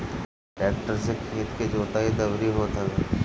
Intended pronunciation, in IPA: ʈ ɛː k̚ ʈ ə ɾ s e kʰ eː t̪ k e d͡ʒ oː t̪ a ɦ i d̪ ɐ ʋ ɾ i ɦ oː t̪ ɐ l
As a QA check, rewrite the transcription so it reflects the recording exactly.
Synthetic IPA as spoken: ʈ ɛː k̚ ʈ ə ɾ s e kʰ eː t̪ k e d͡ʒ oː t̪ a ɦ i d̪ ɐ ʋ ɾ i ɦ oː t̪ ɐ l